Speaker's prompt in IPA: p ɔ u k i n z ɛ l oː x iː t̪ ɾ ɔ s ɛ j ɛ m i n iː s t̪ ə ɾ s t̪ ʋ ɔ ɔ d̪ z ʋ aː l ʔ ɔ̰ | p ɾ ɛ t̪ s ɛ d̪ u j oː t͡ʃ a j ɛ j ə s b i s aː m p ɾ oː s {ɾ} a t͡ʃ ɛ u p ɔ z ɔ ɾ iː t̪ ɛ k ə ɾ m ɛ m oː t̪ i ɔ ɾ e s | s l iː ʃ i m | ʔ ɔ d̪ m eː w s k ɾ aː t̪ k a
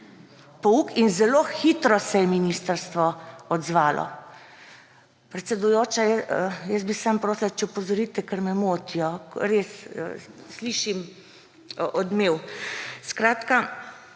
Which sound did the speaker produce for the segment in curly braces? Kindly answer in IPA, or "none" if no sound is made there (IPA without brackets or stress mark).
l